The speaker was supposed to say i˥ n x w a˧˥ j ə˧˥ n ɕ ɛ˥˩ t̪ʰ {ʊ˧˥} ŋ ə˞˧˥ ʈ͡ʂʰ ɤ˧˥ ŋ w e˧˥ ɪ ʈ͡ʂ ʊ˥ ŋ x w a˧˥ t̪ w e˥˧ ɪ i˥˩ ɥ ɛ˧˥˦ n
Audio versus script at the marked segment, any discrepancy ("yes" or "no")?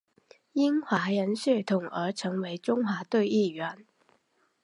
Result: yes